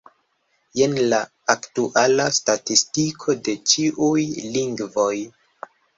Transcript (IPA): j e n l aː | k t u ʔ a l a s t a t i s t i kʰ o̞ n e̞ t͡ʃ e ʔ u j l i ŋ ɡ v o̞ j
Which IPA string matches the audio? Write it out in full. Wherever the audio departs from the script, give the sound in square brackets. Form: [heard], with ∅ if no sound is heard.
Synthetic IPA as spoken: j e n l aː | k t u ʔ a l a s t a t i s t i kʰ o̞ [d] e̞ t͡ʃ [i] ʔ u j l i ŋ ɡ v o̞ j